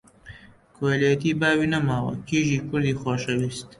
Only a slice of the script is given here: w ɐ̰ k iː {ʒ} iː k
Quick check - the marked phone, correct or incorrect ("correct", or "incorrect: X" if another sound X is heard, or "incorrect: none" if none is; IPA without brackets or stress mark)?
correct